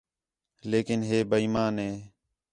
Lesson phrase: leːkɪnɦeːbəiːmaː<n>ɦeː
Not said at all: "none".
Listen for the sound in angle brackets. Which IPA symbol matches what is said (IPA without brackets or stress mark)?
n